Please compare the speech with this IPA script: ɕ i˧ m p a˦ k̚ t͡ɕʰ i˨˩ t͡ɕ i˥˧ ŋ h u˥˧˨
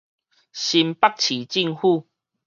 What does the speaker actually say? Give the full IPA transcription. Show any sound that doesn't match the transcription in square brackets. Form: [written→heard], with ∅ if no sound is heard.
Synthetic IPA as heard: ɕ i˧ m p a˦ k̚ t͡ɕʰ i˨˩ t͡ɕ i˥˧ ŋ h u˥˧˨